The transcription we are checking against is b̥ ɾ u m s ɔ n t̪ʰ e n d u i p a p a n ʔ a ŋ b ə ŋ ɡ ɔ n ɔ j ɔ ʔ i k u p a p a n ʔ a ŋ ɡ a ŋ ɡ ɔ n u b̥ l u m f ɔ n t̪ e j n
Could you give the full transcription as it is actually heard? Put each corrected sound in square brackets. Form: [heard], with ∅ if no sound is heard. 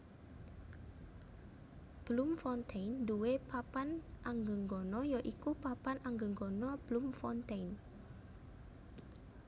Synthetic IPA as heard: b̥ [l] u m [f] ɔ n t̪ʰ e n d u [e] p a p a n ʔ a ŋ [ɡ] ə ŋ ɡ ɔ n ɔ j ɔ ʔ i k u p a p a n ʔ a ŋ ɡ [ə] ŋ ɡ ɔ n [ɔ] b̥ l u m f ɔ n t̪ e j n